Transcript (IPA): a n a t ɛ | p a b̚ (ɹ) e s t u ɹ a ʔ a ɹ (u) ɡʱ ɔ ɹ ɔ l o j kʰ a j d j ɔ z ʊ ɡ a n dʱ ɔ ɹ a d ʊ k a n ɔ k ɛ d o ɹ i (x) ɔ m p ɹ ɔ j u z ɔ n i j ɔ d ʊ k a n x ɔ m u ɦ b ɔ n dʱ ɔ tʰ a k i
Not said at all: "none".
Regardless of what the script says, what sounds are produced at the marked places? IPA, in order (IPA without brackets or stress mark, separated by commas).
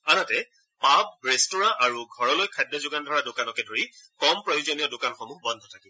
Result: ɹ, u, k